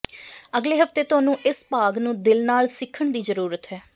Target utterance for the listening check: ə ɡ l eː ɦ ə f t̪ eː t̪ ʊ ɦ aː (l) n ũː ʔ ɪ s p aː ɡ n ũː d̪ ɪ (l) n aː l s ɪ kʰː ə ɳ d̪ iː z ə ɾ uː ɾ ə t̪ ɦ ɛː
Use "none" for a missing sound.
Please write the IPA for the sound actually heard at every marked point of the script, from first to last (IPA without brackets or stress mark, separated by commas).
none, l